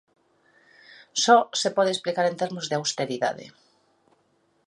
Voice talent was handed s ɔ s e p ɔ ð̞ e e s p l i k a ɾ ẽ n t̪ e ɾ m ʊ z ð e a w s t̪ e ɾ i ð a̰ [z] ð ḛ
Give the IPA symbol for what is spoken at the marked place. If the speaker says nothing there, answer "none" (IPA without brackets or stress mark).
none